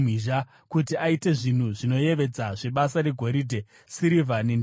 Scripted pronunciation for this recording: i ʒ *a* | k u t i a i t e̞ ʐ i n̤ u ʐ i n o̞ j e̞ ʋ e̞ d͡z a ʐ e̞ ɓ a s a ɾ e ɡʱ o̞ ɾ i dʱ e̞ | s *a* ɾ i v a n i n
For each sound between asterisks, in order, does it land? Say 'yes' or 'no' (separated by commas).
yes, no